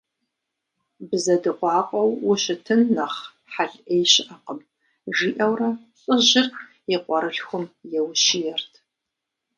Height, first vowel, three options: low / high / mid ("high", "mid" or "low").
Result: low